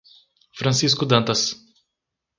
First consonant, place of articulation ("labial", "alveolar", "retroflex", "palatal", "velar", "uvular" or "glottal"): labial